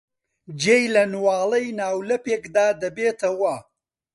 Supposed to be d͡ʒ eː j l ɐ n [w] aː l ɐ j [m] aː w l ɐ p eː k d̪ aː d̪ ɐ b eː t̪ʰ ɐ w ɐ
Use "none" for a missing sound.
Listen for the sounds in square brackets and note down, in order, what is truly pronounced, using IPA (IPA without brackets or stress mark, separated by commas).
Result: w, n